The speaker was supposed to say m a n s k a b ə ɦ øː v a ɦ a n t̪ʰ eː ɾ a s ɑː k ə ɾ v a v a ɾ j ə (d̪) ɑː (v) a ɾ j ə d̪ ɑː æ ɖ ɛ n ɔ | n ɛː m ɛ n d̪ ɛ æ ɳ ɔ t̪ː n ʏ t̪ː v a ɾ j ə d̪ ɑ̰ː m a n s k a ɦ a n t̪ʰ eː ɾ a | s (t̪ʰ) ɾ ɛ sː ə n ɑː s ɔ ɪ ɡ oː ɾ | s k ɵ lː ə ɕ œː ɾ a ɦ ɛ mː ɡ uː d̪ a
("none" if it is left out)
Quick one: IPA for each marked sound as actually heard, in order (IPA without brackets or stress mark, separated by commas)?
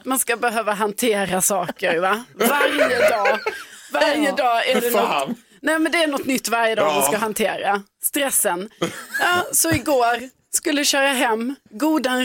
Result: d̪, v, t̪